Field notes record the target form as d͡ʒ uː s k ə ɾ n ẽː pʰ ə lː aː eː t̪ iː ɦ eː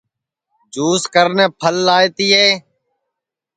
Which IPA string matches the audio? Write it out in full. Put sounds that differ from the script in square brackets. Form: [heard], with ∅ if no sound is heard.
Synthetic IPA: d͡ʒ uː s k ə ɾ n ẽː pʰ ə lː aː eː t̪ iː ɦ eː